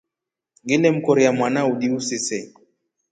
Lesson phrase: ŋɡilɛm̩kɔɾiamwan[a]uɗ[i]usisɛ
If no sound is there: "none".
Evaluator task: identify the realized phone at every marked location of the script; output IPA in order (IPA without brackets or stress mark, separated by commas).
a, i